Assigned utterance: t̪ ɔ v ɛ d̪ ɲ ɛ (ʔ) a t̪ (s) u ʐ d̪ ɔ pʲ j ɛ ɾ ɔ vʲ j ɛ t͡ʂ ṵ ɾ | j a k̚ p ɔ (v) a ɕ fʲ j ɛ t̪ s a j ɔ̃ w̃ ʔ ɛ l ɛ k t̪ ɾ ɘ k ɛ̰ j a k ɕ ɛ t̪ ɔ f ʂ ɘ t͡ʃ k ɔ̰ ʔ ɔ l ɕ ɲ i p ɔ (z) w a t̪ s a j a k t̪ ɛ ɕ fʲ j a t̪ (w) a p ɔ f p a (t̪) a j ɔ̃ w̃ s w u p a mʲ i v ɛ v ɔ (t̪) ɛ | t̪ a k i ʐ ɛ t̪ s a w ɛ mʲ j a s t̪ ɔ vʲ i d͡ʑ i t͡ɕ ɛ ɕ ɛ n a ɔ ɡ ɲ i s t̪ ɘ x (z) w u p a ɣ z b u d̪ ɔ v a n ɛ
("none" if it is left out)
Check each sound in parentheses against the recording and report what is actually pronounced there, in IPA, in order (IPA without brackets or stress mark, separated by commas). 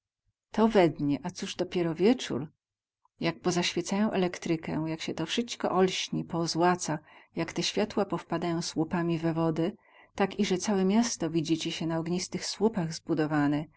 ʔ, s, z, z, w, d̪, d̪, s